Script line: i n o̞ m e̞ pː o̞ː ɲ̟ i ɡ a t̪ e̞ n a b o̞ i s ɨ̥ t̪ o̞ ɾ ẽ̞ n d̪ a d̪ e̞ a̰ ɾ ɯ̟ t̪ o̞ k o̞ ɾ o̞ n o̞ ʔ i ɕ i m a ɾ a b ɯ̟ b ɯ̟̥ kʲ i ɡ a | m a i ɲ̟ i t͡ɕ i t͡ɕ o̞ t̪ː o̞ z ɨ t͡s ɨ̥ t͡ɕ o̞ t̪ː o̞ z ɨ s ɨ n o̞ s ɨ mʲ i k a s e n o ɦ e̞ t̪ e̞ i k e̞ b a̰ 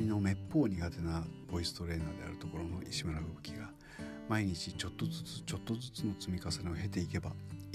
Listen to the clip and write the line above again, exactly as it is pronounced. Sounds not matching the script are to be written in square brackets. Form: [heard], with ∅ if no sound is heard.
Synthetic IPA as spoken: i n o̞ m e̞ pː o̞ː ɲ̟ i ɡ a t̪ e̞ n a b o̞ i s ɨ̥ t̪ o̞ ɾ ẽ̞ n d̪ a d̪ e̞ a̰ ɾ ɯ̟ t̪ o̞ k o̞ ɾ o̞ n o̞ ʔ i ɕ i m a ɾ a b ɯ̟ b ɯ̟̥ kʲ i ɡ a | m a i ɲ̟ i t͡ɕ i t͡ɕ o̞ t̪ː o̞ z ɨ t͡s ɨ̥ t͡ɕ o̞ t̪ː o̞ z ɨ [t͡s] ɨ n o̞ [t͡s] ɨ mʲ i k a s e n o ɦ e̞ t̪ e̞ i k e̞ b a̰